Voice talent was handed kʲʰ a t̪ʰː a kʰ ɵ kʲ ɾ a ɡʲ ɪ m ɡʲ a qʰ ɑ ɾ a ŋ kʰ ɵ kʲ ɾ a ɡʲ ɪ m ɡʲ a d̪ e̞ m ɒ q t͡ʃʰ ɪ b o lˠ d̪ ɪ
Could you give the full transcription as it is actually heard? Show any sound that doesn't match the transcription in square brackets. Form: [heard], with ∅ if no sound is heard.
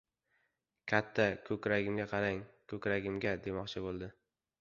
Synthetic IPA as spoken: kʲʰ a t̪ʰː a kʰ ɵ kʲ ɾ a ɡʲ ɪ m ɡʲ a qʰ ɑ ɾ a ŋ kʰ ɵ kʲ ɾ a ɡʲ ɪ m ɡʲ a d̪ e̞ m ɒ q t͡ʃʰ ɪ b o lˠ d̪ ɪ